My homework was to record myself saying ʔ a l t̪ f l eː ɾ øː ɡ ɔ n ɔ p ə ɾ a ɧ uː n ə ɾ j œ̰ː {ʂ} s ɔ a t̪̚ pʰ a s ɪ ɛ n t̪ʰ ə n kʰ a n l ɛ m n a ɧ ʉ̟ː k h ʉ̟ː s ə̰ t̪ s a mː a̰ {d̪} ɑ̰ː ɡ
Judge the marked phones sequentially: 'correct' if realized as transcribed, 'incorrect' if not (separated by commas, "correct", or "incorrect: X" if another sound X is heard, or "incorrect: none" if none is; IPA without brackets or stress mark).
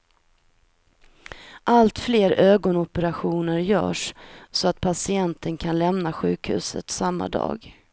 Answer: correct, correct